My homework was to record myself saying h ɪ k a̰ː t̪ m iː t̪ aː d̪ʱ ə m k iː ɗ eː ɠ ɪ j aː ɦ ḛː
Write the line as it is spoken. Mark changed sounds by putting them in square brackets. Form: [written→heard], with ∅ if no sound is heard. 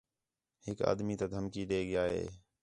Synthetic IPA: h ɪ k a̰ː [t̪→d̪] m iː t̪ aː d̪ʱ ə m k iː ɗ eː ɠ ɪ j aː ɦ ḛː